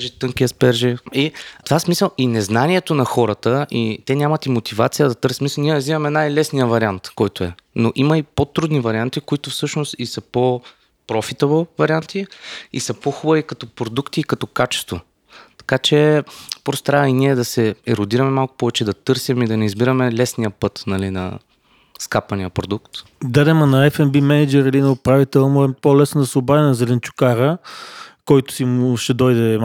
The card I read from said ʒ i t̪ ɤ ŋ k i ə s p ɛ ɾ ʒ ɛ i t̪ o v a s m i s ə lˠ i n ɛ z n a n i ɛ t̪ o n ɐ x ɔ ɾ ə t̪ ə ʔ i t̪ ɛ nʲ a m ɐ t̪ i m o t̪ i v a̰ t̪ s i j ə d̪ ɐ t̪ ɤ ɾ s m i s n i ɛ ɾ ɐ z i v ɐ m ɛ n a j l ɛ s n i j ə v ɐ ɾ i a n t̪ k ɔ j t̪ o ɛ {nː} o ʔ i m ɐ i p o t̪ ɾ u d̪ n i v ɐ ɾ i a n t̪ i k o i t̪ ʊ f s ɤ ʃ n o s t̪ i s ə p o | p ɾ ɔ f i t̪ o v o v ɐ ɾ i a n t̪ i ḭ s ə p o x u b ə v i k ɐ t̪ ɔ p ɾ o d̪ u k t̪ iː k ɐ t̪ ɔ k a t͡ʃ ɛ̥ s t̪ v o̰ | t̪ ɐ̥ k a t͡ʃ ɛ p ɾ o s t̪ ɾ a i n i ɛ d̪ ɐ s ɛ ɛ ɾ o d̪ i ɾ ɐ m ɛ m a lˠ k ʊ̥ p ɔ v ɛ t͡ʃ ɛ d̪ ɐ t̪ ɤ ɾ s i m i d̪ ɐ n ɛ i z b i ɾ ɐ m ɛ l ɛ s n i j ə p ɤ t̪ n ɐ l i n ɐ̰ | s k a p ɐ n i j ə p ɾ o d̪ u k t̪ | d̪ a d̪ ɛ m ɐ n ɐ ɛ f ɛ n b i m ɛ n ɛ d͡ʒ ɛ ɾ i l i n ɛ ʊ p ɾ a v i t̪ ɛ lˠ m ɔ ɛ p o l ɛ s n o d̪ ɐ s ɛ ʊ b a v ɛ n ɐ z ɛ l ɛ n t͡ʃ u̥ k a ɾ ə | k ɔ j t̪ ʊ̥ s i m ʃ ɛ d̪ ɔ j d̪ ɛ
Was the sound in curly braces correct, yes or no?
no